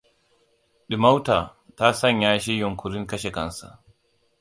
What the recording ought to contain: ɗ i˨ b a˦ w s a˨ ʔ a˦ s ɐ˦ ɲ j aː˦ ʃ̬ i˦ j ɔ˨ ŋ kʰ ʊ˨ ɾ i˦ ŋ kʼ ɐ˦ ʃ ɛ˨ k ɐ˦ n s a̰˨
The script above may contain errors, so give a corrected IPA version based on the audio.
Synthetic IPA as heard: ɗ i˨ m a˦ w t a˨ t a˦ s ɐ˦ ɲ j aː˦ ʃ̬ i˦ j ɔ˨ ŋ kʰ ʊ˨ ɾ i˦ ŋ k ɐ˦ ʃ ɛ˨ k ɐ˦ n s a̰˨